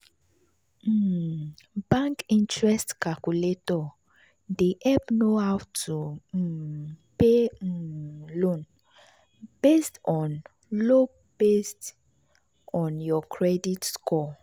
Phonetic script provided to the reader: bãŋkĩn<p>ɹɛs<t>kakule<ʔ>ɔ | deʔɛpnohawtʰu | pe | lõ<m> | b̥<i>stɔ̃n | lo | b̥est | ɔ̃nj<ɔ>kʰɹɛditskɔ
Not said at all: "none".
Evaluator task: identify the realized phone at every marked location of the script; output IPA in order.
t, t, t, n, e, ɔ

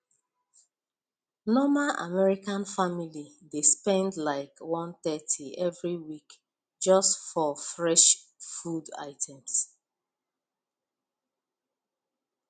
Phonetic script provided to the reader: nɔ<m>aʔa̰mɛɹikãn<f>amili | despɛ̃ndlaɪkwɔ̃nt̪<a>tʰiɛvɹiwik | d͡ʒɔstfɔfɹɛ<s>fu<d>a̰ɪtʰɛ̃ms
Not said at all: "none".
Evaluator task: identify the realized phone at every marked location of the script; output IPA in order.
m, f, ɛ, ʃ, d

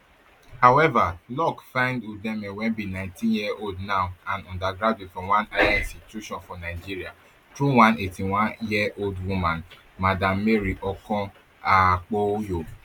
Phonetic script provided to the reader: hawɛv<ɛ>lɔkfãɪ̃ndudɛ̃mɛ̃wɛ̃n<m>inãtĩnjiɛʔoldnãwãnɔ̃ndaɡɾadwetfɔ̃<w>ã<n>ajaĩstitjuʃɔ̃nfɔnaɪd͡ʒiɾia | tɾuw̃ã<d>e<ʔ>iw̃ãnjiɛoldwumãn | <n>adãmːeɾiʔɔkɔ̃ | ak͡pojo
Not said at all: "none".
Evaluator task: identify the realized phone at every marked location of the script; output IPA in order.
a, b, w, n, n, t, m

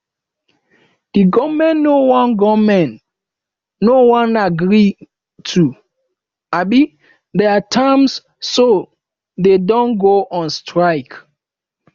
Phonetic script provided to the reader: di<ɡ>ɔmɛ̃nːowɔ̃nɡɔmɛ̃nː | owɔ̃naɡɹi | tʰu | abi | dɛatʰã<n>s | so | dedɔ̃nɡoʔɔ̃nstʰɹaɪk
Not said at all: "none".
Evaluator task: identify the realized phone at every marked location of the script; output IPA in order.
ɡ, m

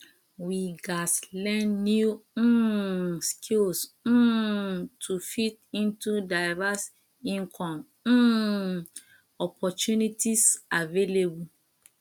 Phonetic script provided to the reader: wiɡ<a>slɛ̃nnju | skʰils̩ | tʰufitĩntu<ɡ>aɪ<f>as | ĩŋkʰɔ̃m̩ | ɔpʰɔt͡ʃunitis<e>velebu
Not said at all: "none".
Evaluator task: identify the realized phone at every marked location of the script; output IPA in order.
a, d, v, a

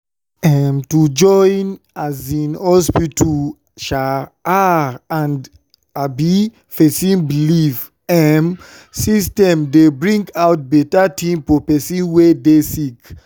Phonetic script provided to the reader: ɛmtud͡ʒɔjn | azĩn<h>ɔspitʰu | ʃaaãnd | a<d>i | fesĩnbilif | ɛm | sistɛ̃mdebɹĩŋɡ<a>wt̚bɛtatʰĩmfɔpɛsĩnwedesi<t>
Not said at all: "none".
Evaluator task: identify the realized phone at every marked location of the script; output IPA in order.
h, b, a, k

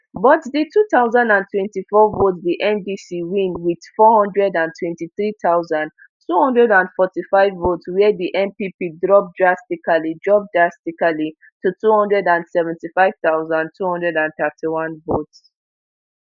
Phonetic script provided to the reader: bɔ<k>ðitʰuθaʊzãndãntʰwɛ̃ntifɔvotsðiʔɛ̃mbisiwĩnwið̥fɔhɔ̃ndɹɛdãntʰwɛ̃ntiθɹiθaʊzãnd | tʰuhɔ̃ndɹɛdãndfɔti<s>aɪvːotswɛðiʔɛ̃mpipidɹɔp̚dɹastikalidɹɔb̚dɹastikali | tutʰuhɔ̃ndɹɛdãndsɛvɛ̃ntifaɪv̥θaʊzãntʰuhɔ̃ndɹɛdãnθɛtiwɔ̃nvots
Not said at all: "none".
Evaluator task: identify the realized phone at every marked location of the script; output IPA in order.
t, f

